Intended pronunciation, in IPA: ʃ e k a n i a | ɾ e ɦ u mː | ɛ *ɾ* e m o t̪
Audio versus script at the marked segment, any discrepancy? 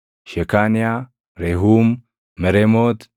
no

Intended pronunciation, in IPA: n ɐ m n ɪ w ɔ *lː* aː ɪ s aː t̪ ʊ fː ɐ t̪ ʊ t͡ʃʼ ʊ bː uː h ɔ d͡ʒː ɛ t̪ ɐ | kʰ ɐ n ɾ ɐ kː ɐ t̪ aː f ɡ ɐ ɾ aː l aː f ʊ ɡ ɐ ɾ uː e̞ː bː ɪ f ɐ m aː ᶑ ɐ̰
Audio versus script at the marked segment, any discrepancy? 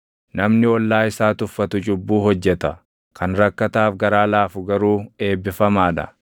no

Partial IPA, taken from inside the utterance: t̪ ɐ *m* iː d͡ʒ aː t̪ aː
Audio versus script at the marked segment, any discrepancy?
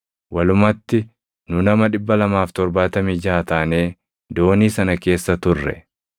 no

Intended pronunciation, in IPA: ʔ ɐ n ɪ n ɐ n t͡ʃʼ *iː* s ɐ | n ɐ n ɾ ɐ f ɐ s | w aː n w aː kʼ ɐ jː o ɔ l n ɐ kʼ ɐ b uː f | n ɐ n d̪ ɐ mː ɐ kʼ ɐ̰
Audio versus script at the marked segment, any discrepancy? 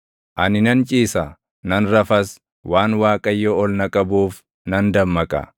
no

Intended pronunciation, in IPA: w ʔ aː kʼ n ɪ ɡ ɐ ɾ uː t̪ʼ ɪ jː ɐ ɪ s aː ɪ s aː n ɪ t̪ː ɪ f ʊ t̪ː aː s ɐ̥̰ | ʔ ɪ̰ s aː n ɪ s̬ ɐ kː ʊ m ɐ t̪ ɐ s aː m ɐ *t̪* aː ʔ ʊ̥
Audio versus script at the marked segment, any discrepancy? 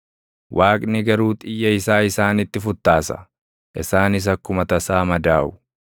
yes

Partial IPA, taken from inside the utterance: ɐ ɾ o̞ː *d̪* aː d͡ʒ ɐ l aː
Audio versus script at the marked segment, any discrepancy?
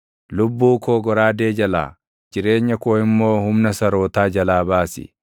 yes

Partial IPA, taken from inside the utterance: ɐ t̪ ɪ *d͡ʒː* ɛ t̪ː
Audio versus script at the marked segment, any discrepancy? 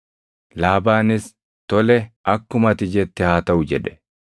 yes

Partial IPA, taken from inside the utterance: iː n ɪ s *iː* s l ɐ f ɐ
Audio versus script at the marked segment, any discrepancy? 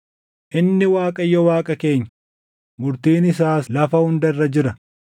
yes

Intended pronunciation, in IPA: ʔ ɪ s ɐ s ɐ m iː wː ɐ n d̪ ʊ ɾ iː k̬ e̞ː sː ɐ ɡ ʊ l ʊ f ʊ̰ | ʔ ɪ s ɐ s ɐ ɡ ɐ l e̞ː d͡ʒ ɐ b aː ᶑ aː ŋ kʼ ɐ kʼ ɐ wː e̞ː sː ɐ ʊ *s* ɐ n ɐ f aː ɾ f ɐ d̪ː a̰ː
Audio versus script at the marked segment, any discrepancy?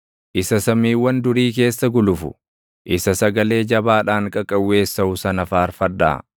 no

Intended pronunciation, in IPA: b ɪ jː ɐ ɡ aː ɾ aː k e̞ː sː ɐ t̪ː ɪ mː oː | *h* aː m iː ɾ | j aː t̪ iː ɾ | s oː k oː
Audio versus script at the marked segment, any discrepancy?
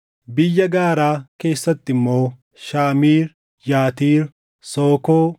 yes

